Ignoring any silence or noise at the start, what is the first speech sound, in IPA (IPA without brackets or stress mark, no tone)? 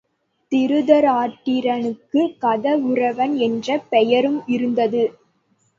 t̪